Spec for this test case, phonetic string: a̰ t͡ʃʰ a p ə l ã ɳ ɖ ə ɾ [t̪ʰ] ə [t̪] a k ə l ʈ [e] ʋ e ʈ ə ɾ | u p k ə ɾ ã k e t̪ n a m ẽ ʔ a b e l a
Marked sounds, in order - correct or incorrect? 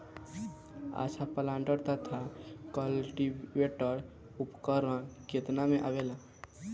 incorrect: t̪, incorrect: t̪ʰ, incorrect: i

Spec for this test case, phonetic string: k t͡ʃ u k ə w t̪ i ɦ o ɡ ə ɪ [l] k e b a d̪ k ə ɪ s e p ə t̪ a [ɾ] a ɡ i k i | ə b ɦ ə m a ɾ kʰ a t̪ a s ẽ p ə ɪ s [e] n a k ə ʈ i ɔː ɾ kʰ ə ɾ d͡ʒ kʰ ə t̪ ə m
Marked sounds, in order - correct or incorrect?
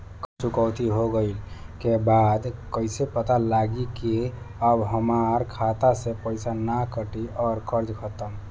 correct, incorrect: l, incorrect: a

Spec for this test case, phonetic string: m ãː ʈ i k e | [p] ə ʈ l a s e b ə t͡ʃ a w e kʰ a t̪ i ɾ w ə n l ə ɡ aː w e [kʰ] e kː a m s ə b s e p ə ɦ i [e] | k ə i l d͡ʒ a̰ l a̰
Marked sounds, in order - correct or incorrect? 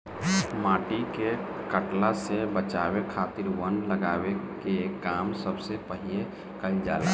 incorrect: k, incorrect: k, correct

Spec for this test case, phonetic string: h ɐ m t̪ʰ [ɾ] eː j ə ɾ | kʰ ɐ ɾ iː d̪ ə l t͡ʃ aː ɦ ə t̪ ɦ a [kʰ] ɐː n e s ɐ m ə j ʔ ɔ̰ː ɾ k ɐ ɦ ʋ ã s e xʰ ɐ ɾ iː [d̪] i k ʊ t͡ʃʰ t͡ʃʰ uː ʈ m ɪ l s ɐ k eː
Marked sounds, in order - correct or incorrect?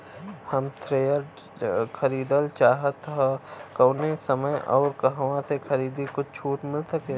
correct, incorrect: k, correct

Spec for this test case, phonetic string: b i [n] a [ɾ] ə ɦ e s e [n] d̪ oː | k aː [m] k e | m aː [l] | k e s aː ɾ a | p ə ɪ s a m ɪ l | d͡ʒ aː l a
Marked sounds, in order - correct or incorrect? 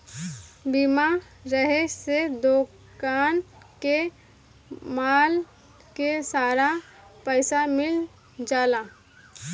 incorrect: m, correct, incorrect: none, incorrect: n, correct

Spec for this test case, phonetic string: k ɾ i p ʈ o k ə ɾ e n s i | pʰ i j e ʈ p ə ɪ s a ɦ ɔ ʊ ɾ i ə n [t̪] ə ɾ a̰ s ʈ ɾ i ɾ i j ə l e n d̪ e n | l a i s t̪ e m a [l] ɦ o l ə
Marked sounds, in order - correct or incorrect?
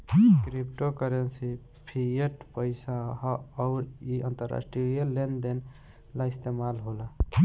correct, correct

